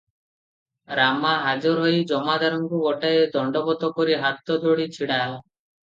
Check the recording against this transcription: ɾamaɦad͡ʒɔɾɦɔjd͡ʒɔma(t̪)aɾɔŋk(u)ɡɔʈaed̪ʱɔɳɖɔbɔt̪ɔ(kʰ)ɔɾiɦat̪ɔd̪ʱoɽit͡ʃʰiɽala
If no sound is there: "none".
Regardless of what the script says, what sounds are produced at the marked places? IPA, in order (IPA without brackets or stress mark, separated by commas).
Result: d̪, u, k